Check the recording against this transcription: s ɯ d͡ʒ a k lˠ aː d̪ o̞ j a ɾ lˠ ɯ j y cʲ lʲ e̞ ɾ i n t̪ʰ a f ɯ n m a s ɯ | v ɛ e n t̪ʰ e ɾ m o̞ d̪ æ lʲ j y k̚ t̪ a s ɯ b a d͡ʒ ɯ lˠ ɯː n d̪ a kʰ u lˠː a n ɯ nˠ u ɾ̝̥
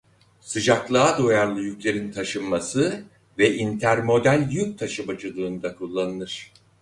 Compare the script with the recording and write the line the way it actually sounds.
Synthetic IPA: s ɯ d͡ʒ a k lˠ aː d̪ o̞ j a ɾ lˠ ɯ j y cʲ lʲ e̞ ɾ i n t̪ʰ a ʃ ɯ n m a s ɯ | v ɛ i n t̪ʰ æ ɾ m o̞ d̪ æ lʲ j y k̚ t̪ʰ a ʃ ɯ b a d͡ʒ ɯ lˠ ɯː n d̪ a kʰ u lˠː a n ɯ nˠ ɯ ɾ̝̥